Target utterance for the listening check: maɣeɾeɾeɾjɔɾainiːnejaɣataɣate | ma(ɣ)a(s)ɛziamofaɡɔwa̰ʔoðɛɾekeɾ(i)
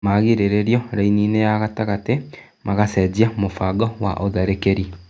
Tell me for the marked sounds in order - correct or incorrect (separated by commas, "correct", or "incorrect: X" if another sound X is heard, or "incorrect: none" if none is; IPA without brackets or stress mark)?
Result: correct, correct, correct